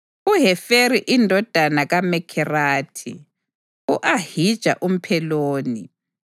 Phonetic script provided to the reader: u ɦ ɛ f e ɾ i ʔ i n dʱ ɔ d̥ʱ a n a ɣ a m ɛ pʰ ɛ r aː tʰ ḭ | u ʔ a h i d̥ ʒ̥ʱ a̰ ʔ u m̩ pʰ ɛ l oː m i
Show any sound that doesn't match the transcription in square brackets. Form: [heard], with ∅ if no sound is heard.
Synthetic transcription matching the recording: u ɦ ɛ f e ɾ i ʔ i n dʱ ɔ d̥ʱ a n a ɣ a m ɛ [kʰ] ɛ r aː tʰ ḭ | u ʔ a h i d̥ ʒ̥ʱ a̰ ʔ u m̩ pʰ ɛ l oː [n] i